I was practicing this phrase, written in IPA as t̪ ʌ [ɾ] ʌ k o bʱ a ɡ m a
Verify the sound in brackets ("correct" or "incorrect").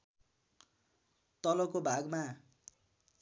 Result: incorrect